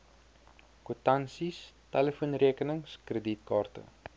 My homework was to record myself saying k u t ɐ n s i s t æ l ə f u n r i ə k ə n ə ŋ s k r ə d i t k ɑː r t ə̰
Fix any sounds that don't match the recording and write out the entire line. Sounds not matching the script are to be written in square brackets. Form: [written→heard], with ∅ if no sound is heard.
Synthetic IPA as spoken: k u t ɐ n s i s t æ l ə f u n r i ə k ə n ə ŋ s k r ə d i t k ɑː r t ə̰

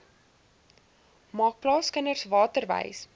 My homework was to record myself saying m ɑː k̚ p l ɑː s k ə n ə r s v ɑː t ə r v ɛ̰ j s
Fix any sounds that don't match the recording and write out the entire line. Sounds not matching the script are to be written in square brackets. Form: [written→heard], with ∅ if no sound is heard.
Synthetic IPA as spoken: m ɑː k̚ p l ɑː s k ə n ə r s v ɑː t ə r v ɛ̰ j s

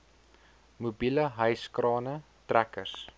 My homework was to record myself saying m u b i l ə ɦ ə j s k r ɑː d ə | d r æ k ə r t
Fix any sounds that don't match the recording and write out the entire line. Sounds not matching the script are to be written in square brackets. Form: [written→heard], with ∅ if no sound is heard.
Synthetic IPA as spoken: m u b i l ə ɦ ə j s k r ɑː [d→n] ə | [d→t] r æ k ə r [t→s]

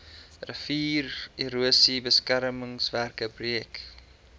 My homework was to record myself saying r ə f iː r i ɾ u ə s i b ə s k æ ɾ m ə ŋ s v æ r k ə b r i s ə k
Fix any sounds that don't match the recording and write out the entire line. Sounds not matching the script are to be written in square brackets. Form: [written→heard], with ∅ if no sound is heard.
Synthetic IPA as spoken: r ə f iː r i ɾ u ə s i b ə s k æ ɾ m ə ŋ s v æ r k ə b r i [s→∅] ə k

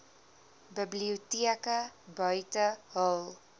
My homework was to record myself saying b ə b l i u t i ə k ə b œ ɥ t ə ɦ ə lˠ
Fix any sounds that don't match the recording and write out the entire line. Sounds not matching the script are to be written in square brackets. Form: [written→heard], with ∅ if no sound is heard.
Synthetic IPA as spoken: b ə b l i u t i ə k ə b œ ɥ t ə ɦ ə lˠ

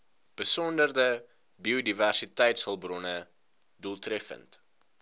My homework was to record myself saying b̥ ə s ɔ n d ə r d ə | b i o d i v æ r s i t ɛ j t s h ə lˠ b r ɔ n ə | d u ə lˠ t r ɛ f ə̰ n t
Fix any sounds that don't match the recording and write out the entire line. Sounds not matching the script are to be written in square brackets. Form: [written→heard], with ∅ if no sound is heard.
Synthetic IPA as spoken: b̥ ə s ɔ n d ə r d ə | b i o d i v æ r s i t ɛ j t s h ə lˠ b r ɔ n ə | d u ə lˠ t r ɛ f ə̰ n t

